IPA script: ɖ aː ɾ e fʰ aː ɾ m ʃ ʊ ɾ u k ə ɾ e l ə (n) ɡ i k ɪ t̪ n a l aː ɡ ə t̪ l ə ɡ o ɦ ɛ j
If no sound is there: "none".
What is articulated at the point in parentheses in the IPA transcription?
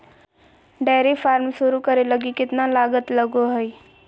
none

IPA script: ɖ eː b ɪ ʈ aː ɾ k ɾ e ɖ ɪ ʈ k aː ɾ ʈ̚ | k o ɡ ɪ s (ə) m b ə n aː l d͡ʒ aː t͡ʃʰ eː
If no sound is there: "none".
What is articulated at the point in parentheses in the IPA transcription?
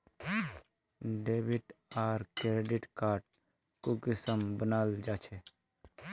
ə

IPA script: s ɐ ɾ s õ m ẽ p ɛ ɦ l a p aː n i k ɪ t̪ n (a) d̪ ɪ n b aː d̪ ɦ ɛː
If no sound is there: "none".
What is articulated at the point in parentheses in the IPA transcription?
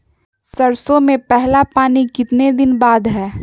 e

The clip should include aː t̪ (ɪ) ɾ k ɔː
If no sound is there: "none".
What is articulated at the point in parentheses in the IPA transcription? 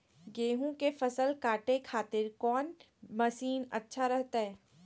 ɪ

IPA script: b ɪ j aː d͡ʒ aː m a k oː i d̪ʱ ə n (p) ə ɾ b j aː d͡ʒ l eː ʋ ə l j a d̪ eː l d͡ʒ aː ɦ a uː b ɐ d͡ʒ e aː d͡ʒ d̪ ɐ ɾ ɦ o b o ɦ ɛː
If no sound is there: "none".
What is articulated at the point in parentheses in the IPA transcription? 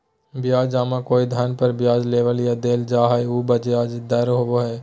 p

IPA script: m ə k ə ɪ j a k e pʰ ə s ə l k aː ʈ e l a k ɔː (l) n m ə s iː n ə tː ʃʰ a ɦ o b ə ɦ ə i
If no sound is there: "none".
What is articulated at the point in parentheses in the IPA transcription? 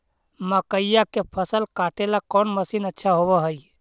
none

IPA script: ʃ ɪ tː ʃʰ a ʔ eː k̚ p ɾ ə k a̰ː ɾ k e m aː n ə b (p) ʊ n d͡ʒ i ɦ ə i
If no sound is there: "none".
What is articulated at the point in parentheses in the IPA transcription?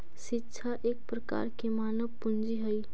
p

